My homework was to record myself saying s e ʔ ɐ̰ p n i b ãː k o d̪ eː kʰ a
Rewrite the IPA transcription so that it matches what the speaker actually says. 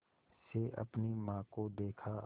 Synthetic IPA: s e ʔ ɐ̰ p n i m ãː k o d̪ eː kʰ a